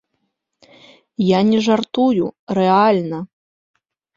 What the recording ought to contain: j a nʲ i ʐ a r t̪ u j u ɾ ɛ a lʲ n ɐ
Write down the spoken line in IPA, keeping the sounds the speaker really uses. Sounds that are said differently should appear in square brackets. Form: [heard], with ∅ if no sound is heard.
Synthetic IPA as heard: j a nʲ [ɛ] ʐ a r t̪ u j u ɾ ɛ a lʲ n ɐ